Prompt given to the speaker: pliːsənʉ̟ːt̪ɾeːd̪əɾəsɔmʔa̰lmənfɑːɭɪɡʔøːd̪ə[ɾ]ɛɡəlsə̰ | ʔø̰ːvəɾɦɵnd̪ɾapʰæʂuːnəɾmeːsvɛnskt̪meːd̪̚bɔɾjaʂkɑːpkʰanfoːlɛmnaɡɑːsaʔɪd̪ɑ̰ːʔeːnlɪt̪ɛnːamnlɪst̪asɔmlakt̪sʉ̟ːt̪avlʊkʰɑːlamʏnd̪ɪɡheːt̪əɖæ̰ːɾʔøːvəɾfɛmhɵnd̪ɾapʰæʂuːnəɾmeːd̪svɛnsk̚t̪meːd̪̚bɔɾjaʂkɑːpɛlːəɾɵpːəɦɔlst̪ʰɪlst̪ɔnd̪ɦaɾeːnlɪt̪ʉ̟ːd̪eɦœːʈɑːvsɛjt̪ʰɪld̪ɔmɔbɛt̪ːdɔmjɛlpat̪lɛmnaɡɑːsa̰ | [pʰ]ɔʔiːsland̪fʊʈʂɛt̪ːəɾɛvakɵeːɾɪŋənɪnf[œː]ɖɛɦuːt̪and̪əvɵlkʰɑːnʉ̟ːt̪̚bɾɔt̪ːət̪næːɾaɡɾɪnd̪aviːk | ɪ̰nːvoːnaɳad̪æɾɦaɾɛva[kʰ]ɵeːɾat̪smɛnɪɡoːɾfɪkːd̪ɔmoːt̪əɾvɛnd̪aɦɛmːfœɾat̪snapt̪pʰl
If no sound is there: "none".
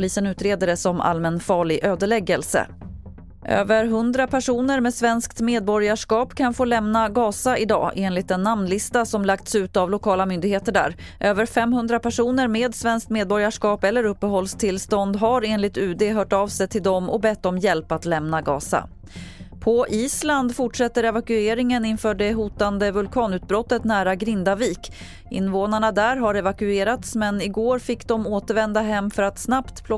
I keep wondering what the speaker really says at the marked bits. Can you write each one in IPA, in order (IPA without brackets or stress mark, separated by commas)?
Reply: ɭ, pʰ, œː, k